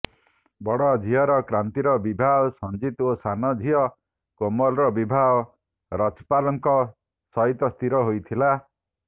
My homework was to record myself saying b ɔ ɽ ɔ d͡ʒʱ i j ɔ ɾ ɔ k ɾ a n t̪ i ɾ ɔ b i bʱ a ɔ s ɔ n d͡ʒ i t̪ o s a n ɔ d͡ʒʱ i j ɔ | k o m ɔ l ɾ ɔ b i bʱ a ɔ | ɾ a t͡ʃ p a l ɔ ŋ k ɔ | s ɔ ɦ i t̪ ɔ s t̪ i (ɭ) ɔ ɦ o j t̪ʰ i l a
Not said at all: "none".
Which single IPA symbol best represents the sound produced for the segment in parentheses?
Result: ɾ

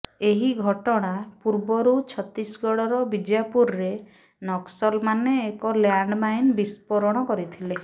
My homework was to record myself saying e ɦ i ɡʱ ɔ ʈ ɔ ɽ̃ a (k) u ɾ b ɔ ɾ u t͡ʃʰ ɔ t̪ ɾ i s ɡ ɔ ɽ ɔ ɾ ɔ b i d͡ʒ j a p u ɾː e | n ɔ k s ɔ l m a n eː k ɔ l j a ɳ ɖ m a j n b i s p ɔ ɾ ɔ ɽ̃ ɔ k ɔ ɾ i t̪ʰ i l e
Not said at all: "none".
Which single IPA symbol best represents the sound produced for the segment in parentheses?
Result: p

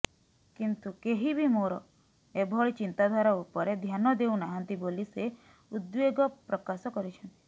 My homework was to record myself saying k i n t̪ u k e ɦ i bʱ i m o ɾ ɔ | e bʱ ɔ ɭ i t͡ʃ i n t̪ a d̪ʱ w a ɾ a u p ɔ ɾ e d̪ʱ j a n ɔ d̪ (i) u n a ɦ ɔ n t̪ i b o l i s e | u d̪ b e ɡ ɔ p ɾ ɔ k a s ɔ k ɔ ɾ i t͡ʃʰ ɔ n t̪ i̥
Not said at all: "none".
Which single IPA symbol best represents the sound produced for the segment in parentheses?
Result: e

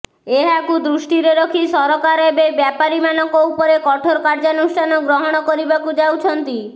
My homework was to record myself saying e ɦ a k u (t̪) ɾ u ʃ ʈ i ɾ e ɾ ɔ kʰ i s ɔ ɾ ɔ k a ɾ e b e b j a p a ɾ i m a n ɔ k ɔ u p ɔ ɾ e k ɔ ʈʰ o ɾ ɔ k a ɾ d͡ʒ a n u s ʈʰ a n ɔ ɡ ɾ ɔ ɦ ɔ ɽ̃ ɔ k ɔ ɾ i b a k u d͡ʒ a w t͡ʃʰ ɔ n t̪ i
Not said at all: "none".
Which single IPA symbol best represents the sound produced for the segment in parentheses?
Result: d̪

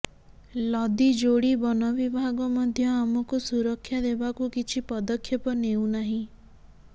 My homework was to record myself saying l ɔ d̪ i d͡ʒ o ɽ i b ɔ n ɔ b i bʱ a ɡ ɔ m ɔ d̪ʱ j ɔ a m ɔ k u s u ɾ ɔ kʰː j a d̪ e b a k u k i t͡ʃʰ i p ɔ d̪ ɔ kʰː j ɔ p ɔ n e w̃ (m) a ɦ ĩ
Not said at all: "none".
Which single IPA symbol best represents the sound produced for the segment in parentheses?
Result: n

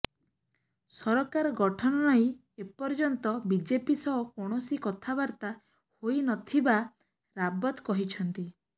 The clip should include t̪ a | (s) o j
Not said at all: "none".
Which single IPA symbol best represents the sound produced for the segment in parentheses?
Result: h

